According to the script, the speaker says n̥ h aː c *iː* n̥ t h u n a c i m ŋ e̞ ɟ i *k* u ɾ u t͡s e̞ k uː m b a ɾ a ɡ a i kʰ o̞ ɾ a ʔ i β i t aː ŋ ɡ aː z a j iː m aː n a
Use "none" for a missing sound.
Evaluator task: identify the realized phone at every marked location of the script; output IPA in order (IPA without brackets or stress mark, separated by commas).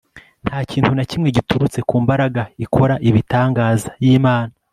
iː, t